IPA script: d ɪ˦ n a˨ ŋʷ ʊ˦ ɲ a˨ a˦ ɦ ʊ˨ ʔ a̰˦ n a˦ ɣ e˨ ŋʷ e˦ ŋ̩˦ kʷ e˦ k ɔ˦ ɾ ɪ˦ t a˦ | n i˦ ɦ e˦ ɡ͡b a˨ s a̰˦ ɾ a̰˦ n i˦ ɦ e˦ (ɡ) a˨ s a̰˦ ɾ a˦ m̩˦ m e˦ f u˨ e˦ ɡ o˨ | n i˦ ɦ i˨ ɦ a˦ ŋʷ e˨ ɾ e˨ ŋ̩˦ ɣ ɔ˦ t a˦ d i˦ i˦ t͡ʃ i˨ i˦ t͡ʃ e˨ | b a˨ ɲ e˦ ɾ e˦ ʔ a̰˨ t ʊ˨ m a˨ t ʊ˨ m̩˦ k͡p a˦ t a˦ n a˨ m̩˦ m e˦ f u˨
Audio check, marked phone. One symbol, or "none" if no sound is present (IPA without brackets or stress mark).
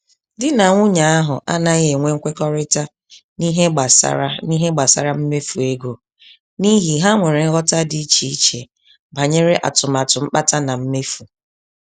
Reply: ɡ͡b